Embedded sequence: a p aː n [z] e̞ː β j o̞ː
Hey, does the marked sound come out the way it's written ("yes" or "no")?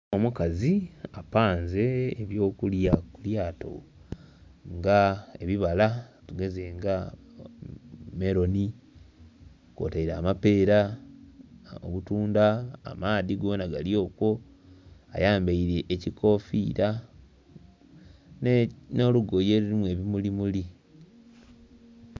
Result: yes